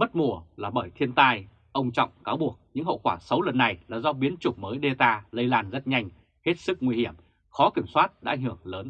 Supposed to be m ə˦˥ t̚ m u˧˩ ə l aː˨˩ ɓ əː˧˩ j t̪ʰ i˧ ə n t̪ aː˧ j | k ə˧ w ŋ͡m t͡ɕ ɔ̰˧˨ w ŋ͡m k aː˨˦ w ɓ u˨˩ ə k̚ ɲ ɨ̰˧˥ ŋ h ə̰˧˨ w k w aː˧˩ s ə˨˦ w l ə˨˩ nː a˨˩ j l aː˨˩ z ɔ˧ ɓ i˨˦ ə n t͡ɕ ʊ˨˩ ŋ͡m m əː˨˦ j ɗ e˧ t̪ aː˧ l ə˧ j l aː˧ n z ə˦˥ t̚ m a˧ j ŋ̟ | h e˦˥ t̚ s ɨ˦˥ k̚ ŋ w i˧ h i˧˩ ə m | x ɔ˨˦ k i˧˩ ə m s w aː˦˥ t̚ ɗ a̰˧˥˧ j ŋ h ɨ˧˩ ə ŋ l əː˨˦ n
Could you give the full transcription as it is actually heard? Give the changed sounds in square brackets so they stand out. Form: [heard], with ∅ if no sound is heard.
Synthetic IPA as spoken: m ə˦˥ t̚ m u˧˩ ə l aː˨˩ ɓ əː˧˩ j t̪ʰ i˧ ə n t̪ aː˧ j | [ʔ] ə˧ w ŋ͡m t͡ɕ ɔ̰˧˨ w ŋ͡m k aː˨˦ w ɓ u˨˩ ə k̚ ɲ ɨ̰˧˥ ŋ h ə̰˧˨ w k w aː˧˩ s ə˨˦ w l ə˨˩ nː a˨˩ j l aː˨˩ z ɔ˧ ɓ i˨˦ ə n t͡ɕ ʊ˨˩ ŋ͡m m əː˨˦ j ɗ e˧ t̪ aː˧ l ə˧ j l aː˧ n z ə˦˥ t̚ [ɲ] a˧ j ŋ̟ | h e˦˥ t̚ s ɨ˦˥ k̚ ŋ w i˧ h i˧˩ ə m | x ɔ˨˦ k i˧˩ ə m s w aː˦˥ t̚ ɗ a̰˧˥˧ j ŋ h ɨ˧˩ ə ŋ l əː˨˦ n